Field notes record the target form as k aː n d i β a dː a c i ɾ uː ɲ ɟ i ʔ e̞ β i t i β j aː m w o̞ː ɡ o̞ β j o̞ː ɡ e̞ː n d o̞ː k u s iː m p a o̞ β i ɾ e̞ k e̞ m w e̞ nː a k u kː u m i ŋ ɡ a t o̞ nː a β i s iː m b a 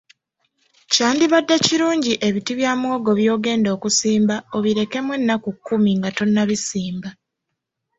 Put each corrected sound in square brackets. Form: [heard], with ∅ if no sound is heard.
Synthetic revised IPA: [c] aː n d i β a dː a c i ɾ uː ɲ ɟ i ʔ e̞ β i t i β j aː m w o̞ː ɡ o̞ β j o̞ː ɡ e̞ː n d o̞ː k u s iː m [b] a o̞ β i ɾ e̞ k e̞ m w e̞ nː a k u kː u m i ŋ ɡ a t o̞ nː a β i s iː m b a